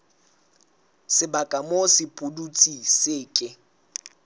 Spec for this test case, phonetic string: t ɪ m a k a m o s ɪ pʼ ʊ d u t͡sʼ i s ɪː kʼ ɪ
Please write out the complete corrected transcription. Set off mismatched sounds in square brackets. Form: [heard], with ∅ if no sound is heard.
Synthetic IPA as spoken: [s] ɪ [b] a [kʼ] a m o s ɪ pʼ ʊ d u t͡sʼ i s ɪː kʼ ɪ

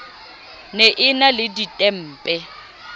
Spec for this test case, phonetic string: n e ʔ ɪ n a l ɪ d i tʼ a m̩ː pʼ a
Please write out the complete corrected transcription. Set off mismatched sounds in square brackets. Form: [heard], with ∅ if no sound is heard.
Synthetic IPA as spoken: n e ʔ ɪ n a l ɪ d i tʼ [ɛ] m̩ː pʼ [ɛ]

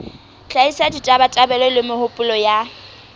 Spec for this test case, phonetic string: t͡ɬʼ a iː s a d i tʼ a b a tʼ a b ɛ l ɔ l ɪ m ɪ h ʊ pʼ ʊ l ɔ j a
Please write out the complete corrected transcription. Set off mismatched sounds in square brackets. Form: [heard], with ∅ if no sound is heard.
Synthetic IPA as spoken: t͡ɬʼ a [i] s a d i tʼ a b a tʼ a b ɛ l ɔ l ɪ m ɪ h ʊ pʼ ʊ l ɔ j a

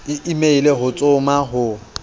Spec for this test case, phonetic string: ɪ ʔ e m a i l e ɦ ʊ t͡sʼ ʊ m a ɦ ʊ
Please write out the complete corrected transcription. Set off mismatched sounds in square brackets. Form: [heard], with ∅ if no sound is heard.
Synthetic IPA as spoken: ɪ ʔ [i] m [e] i l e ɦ ʊ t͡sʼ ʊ m a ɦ ʊ

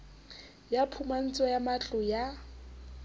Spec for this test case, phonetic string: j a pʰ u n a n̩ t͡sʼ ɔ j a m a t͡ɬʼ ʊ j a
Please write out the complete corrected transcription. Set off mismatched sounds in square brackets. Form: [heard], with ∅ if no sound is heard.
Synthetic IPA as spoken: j a pʰ u [m] a n̩ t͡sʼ ɔ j a m a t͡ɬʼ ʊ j a

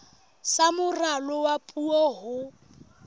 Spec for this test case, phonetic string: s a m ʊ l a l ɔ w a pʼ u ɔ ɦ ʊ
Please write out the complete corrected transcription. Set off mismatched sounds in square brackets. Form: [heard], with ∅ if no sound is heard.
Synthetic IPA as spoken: s a m ʊ [r] a l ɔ w a pʼ u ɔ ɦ ʊ

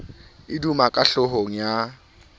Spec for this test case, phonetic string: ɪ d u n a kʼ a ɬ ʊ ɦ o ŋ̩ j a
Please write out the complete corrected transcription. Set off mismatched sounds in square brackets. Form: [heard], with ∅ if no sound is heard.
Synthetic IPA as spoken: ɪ d u [m] a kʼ a ɬ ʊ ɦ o ŋ̩ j a

